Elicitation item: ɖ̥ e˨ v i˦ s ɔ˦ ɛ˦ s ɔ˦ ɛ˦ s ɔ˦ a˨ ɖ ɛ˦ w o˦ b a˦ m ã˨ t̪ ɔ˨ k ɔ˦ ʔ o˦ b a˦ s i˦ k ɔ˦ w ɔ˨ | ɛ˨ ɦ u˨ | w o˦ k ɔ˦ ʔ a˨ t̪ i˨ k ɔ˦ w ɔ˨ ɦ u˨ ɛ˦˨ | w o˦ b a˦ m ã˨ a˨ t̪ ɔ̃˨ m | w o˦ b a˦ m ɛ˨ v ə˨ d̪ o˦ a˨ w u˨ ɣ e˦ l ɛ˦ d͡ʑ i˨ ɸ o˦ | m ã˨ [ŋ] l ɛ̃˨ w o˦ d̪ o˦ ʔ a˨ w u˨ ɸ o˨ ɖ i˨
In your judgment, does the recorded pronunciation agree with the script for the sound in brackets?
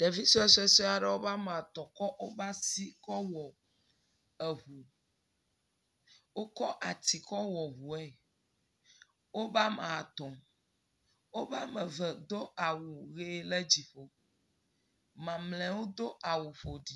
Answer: no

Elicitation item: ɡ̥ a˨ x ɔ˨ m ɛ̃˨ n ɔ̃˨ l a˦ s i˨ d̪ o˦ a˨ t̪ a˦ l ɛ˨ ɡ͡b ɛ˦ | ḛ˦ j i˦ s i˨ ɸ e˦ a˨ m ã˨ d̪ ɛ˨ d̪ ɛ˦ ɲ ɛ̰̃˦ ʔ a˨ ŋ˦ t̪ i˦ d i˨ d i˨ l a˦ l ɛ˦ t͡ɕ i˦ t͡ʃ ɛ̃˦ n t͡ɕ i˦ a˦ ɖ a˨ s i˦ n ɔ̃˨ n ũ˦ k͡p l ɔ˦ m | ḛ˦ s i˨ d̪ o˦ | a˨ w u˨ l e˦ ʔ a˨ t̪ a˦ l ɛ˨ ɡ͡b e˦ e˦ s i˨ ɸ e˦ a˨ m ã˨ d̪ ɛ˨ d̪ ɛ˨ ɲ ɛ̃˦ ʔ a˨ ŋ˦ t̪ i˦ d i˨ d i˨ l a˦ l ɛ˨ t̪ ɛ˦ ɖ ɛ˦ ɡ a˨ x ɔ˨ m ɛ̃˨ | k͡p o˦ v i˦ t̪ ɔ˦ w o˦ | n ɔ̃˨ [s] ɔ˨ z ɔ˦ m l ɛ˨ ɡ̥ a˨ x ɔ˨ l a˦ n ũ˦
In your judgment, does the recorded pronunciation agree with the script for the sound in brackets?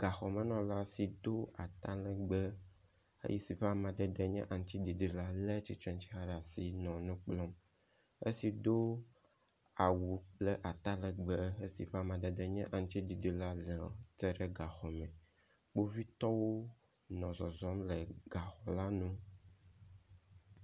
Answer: no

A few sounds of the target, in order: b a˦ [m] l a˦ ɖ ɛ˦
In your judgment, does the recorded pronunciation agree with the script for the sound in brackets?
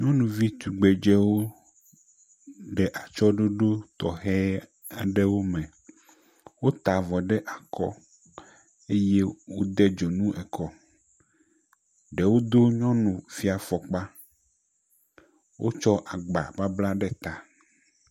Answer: no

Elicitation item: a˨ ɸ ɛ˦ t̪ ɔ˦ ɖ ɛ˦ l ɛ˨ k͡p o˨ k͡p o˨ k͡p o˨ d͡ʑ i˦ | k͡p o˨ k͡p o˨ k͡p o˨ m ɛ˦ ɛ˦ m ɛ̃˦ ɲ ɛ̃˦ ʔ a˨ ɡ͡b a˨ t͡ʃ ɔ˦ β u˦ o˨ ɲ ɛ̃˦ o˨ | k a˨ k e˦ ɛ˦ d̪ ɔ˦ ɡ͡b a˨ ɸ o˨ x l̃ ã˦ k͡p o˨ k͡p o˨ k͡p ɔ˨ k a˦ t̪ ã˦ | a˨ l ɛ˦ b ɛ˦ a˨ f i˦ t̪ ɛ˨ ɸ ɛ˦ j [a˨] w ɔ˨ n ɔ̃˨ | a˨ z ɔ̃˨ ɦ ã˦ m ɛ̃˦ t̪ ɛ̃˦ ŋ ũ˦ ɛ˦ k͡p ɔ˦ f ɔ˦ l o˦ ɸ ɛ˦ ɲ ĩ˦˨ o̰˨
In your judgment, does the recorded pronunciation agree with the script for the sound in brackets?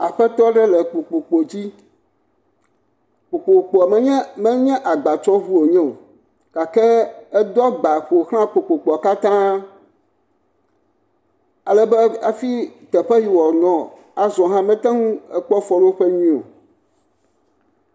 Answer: no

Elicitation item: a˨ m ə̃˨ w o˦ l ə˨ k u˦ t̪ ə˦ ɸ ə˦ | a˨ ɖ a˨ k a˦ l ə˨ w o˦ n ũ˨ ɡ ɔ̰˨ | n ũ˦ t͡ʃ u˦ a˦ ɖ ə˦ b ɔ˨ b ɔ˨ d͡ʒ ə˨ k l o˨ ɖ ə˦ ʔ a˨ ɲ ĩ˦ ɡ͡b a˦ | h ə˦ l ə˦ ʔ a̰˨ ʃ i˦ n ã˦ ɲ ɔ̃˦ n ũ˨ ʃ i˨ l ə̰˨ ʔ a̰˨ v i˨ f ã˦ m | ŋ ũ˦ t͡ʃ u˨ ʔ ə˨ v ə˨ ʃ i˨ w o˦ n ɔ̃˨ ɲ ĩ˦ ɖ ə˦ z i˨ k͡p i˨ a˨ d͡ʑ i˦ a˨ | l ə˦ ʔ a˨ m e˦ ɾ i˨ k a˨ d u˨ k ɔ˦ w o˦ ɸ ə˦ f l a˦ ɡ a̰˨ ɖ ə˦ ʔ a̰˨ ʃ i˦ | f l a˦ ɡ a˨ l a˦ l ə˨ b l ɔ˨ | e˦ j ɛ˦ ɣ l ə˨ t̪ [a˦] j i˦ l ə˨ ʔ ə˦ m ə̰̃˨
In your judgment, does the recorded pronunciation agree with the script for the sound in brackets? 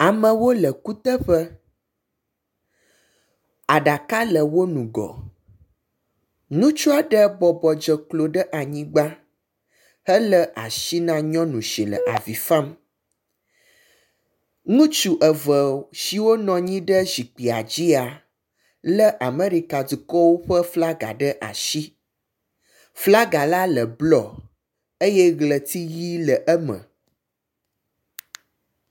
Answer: no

